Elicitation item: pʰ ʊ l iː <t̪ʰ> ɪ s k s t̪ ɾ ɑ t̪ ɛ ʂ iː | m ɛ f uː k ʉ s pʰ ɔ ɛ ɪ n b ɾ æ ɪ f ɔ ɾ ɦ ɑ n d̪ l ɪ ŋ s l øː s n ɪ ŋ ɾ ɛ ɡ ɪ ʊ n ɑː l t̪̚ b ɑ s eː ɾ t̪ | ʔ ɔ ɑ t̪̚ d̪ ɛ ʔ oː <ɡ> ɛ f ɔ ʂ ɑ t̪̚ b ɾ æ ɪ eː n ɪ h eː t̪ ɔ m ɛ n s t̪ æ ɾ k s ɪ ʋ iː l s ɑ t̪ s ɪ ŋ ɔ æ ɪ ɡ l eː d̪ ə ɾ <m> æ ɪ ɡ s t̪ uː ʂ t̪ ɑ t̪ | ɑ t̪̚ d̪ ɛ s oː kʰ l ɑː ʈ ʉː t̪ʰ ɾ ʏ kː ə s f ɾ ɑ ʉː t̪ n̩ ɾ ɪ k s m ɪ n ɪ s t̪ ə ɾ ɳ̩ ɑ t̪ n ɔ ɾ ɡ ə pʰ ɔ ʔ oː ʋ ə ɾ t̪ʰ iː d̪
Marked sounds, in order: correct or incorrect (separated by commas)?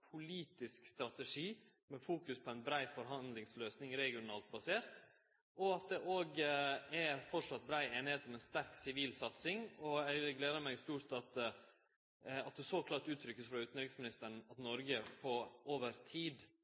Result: incorrect, correct, correct